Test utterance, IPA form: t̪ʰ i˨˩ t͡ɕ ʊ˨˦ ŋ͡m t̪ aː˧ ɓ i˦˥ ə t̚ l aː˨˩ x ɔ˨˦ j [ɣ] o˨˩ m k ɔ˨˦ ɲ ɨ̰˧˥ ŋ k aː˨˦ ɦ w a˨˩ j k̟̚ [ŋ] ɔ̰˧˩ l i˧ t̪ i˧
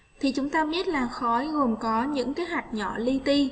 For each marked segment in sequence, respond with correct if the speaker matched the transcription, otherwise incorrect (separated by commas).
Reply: correct, incorrect